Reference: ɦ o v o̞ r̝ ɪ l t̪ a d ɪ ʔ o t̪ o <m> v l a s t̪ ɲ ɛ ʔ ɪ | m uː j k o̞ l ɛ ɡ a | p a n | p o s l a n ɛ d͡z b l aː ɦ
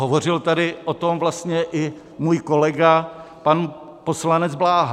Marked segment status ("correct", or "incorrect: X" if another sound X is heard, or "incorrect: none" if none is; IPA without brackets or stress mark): correct